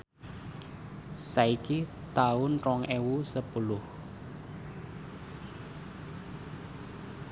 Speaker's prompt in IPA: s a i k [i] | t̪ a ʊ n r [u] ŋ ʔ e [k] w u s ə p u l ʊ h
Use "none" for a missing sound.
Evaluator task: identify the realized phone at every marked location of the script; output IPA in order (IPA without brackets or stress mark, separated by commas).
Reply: i, ɔ, none